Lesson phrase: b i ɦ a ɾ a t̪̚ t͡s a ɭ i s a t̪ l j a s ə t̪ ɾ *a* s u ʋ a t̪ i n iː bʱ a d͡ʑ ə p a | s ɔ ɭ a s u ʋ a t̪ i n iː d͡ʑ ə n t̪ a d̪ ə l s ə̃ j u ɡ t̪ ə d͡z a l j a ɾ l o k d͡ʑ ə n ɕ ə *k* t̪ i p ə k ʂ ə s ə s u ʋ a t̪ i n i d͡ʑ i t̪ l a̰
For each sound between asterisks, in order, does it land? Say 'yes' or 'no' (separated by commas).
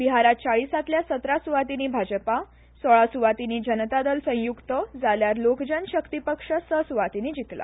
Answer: yes, yes